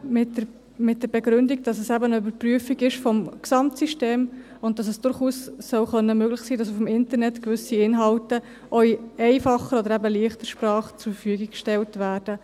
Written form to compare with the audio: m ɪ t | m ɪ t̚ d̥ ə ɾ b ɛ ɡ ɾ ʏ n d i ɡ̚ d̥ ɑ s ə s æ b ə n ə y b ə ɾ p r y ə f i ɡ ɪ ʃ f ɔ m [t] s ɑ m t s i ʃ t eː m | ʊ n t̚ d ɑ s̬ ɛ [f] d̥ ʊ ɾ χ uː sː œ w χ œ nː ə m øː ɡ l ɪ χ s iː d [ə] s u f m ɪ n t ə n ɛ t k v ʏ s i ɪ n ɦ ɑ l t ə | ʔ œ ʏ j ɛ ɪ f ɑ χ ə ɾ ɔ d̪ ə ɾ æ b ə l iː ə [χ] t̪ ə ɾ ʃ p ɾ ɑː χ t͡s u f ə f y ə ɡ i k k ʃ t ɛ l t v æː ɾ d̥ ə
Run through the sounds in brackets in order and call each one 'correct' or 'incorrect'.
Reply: incorrect: k, incorrect: s, incorrect: ɑ, correct

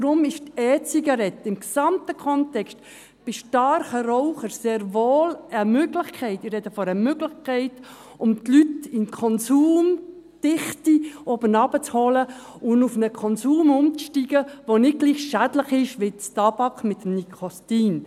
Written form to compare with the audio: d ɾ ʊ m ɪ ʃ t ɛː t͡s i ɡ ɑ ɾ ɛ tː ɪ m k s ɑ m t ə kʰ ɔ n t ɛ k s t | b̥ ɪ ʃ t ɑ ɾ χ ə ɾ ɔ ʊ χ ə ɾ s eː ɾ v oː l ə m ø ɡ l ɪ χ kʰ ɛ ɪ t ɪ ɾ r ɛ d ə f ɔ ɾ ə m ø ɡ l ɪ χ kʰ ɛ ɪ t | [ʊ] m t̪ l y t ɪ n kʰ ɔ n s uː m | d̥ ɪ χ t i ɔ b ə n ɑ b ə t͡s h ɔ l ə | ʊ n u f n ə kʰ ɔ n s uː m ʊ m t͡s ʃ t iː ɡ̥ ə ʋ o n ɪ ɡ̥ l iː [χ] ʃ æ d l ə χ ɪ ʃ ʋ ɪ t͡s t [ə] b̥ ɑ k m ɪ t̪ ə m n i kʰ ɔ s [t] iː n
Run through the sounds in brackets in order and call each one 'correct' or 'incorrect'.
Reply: correct, correct, incorrect: ɑ, correct

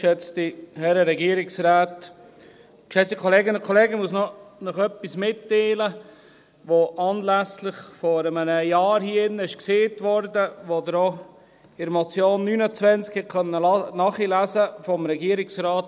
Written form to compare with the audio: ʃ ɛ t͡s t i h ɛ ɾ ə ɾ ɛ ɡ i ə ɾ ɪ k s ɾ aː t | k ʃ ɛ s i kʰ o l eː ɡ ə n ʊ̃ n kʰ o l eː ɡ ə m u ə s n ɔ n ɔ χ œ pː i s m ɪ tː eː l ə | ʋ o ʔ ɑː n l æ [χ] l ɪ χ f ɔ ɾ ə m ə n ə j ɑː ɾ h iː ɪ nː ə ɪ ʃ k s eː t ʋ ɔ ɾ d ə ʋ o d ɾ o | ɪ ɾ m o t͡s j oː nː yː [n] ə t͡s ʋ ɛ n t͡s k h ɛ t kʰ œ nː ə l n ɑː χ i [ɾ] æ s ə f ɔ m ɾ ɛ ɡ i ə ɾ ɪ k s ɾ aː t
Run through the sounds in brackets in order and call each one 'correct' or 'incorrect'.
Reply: incorrect: s, correct, incorrect: l

